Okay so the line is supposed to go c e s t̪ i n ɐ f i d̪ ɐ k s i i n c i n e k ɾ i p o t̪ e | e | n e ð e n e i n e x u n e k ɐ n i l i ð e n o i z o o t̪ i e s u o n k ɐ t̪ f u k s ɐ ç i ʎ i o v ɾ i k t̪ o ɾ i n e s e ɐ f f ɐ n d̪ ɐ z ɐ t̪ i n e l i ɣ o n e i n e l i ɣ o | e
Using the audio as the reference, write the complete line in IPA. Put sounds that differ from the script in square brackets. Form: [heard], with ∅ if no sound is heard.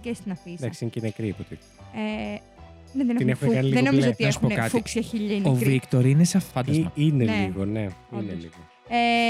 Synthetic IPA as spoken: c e s t̪ i n ɐ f i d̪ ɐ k s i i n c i n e k ɾ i p o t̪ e | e | n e ð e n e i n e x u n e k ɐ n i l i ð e n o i z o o t̪ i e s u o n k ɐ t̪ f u k s ɐ ç i ʎ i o v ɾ i k t̪ o ɾ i n e s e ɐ f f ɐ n d̪ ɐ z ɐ [∅] i n e l i ɣ o n e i n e l i ɣ o | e